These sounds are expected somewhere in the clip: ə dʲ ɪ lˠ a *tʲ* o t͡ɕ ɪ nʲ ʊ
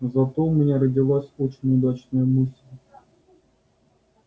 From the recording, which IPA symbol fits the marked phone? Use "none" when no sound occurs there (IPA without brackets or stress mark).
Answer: sʲ